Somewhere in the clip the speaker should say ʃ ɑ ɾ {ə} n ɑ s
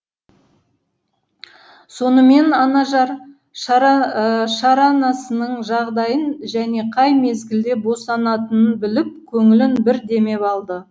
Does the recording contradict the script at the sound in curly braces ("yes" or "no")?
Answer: yes